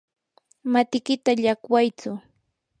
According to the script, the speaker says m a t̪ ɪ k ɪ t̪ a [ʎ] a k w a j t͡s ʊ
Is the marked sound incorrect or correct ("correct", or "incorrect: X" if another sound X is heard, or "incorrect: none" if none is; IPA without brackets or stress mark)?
correct